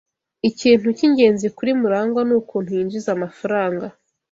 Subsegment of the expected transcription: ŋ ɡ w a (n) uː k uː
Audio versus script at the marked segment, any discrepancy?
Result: no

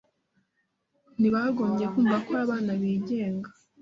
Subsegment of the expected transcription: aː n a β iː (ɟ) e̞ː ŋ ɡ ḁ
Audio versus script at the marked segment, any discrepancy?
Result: no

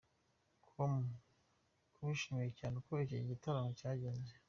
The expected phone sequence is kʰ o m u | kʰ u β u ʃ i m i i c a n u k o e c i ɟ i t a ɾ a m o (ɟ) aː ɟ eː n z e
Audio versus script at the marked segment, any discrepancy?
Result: yes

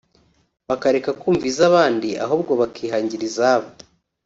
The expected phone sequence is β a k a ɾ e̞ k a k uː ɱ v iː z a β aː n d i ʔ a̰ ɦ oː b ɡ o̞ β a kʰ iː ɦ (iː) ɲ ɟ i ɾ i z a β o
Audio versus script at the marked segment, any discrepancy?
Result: yes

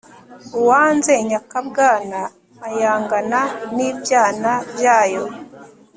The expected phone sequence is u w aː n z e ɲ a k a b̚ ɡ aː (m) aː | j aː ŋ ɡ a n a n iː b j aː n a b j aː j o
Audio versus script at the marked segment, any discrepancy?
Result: yes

